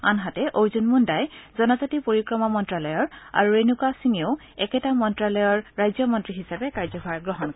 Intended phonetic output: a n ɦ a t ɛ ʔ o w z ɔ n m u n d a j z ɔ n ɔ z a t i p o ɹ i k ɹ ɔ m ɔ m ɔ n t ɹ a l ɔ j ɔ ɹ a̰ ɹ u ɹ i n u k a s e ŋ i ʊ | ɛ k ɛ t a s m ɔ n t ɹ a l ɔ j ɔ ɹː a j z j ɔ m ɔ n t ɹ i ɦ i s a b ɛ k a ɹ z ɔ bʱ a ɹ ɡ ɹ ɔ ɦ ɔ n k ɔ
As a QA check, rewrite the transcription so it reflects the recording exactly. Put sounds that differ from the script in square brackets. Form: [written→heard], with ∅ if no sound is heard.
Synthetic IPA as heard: a n ɦ a t ɛ ʔ o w z [ɔ→u] n m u n d a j z ɔ n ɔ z a t i p o ɹ i k ɹ ɔ m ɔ m ɔ n t ɹ a l ɔ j ɔ ɹ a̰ ɹ u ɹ [i→e] n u k a s [e→i] ŋ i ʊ | ɛ k ɛ t a [s→∅] m ɔ n t ɹ a l ɔ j ɔ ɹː a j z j ɔ m ɔ n t ɹ i ɦ i s a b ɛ k a ɹ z ɔ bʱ a ɹ ɡ ɹ ɔ ɦ ɔ n k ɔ

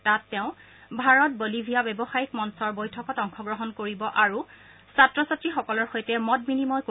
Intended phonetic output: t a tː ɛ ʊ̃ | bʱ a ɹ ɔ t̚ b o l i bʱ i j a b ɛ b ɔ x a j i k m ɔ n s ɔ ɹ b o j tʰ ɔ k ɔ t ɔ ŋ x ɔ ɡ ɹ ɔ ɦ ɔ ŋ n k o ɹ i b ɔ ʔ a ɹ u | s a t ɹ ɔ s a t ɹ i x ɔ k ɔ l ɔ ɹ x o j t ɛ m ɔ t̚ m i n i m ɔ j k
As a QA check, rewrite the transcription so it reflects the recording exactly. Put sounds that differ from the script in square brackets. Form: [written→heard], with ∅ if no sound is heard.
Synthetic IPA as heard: t a tː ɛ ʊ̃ | bʱ a ɹ ɔ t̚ b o l i bʱ i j a b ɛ b ɔ x a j i k m ɔ n s ɔ ɹ b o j tʰ ɔ k ɔ t ɔ ŋ x ɔ ɡ ɹ ɔ ɦ ɔ [ŋ→∅] n k o ɹ i b ɔ ʔ a ɹ u | s a t ɹ ɔ s a t ɹ i x ɔ k ɔ l ɔ ɹ x o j t ɛ m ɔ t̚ m i n i m ɔ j k

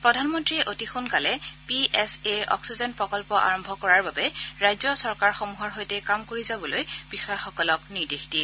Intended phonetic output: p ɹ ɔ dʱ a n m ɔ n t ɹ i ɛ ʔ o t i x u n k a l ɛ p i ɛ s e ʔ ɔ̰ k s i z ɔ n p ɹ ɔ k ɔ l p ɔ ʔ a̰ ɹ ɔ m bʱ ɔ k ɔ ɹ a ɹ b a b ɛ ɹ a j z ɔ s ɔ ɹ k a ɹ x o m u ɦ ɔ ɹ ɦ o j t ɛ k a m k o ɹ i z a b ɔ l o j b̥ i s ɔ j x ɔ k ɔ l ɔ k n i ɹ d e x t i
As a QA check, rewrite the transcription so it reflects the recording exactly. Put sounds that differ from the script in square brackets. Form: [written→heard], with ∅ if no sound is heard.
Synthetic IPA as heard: p ɹ ɔ dʱ a n m ɔ n t ɹ i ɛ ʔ o t i x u n k a l ɛ p i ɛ s e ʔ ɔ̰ k s i z ɔ n p ɹ ɔ k ɔ l p ɔ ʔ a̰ ɹ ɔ m bʱ ɔ k ɔ ɹ a ɹ b a b ɛ ɹ a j z ɔ s ɔ ɹ k a ɹ x o m u ɦ ɔ ɹ ɦ o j t ɛ k a m k o ɹ i z a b ɔ l o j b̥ i [s→x] ɔ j x ɔ k ɔ l ɔ k n i ɹ d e x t i

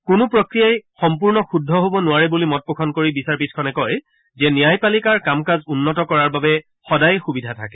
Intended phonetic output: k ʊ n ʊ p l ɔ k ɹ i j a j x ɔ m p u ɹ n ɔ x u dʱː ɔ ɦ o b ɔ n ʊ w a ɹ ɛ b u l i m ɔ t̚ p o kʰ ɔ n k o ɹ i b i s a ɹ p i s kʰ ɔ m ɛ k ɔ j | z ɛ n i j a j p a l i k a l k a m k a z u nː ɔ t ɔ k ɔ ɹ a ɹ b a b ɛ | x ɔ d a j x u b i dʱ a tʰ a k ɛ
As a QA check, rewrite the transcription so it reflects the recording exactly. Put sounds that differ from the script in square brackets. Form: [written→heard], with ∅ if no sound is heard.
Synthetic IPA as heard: k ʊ n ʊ p [l→ɹ] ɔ k ɹ i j a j x ɔ m p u ɹ n ɔ x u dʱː ɔ ɦ o b ɔ n ʊ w a ɹ ɛ b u l i m ɔ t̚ p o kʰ ɔ n k o ɹ i b i s a ɹ p i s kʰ ɔ [m→n] ɛ k ɔ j | z ɛ n i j a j p a l i k a [l→ɹ] k a m k a z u nː ɔ t ɔ k ɔ ɹ a ɹ b a b ɛ | x ɔ d a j x u b i dʱ a tʰ a k ɛ

